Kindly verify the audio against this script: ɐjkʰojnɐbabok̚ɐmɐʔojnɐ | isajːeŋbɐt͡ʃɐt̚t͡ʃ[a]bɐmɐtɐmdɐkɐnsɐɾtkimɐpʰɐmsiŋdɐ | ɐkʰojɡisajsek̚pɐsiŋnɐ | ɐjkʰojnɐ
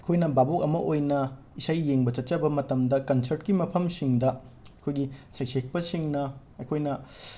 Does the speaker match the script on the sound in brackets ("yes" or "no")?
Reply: no